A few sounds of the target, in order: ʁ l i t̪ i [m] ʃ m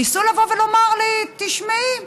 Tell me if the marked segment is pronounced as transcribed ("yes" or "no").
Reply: no